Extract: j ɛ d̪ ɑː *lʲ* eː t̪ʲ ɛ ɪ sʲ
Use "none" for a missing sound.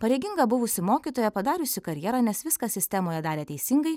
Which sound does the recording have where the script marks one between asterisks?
ɾʲ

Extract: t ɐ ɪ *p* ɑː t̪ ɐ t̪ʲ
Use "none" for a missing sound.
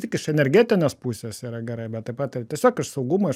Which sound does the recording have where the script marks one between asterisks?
p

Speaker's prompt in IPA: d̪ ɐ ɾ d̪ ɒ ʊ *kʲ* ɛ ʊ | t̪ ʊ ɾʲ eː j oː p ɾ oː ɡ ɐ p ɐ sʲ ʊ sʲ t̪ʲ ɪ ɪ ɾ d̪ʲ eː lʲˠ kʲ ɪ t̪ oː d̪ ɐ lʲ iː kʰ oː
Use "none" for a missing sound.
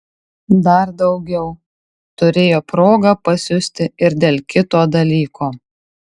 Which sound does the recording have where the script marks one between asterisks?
ɡʲ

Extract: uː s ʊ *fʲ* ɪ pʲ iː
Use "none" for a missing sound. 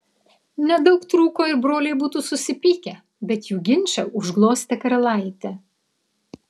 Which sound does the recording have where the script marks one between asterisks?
sʲ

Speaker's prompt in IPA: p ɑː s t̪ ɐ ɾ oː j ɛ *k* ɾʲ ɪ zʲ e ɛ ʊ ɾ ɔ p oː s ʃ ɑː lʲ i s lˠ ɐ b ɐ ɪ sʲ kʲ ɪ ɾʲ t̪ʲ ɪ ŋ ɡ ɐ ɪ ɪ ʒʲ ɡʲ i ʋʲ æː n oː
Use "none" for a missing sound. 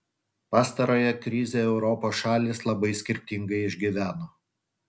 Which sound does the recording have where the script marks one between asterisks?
k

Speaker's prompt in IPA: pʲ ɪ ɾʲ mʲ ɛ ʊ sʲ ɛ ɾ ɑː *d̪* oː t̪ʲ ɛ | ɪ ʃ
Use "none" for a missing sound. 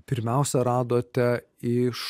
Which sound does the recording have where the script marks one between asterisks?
d̪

